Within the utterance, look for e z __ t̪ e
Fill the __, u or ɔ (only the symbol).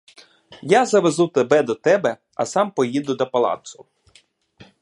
u